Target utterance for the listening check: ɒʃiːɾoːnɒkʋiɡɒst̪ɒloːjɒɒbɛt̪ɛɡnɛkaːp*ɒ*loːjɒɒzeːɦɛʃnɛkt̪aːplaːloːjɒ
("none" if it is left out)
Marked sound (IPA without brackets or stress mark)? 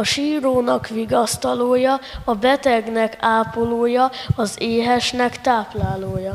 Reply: o